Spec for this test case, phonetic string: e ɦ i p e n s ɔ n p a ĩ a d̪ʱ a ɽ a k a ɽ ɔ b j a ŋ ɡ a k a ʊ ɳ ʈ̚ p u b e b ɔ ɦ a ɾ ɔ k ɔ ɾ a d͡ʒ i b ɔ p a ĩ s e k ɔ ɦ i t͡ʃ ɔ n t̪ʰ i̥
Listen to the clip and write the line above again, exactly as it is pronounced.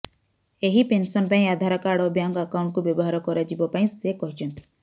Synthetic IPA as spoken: e ɦ i p e n s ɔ n p a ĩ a d̪ʱ a ɾ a k a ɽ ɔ b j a ŋ ɡ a k a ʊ ɳ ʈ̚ k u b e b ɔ ɦ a ɾ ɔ k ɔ ɾ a d͡ʒ i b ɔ p a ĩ s e k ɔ ɦ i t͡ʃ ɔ n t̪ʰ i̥